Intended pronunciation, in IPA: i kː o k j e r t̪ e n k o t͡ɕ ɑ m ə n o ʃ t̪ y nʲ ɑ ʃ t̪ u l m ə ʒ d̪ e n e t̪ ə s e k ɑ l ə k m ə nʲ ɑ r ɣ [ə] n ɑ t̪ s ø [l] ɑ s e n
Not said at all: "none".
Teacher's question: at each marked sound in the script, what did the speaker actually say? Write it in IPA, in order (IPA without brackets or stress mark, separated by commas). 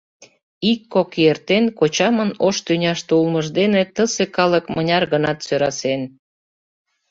ə, ɾ